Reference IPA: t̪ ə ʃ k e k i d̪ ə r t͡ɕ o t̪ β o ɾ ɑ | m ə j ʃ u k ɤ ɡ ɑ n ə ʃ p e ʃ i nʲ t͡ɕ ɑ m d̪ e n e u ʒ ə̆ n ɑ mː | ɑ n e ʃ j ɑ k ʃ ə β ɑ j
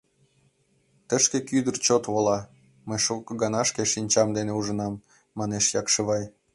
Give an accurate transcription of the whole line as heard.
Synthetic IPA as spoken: t̪ ə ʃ k e k y d̪ ə r t͡ɕ o t̪ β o l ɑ | m ə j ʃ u k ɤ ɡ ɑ n ɑ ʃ k e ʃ i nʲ t͡ɕ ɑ m d̪ e n e u ʒ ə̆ n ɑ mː | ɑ n e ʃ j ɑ k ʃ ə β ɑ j